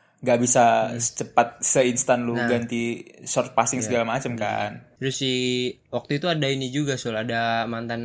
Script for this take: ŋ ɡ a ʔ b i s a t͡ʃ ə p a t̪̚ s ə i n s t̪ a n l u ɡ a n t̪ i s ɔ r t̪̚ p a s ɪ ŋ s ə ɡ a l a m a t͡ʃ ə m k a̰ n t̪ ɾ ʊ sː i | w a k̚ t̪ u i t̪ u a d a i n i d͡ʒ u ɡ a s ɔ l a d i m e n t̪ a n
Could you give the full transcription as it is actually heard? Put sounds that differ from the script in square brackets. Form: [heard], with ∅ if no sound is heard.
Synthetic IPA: ŋ ɡ a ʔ b i s a t͡ʃ ə p a t̪̚ s ə i n s t̪ a n l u ɡ a n t̪ i s ɔ r t̪̚ p a s ɪ ŋ s ə ɡ a l a m a t͡ʃ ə m k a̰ n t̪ ɾ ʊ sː i | w a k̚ t̪ u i t̪ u a d a i n i d͡ʒ u ɡ a s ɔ l a d [a] m [a] n t̪ a n